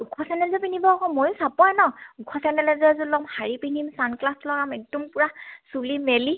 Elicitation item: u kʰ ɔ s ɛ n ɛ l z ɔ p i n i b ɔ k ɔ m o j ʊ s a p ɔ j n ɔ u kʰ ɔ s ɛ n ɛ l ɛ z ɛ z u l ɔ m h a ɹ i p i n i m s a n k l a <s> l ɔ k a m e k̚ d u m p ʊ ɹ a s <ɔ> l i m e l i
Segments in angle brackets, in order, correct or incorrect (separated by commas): correct, incorrect